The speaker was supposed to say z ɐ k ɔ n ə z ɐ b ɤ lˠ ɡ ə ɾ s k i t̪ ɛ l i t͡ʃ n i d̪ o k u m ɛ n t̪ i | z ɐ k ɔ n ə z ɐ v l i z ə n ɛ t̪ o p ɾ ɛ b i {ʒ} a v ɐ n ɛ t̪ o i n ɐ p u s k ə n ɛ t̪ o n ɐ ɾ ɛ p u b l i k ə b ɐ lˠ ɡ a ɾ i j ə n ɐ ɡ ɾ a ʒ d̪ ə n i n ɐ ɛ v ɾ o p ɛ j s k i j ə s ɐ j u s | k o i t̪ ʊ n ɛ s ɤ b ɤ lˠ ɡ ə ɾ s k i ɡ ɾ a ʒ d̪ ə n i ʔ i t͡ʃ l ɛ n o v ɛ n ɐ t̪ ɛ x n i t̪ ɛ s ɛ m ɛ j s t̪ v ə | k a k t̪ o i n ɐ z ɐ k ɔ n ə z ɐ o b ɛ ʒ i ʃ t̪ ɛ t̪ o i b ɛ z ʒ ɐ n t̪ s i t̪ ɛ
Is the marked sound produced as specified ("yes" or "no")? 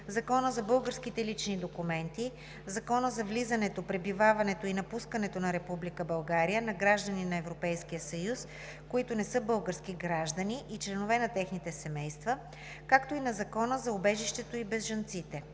no